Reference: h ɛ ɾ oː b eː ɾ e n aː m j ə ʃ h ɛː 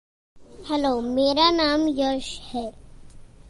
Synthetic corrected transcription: h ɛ l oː m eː ɾ a n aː m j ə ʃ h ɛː